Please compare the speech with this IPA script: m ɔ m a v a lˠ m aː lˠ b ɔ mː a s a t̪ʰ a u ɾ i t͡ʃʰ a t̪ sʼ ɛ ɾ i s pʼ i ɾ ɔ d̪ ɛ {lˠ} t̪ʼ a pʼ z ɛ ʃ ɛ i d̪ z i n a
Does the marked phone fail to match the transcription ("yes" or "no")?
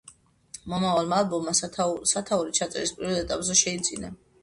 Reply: yes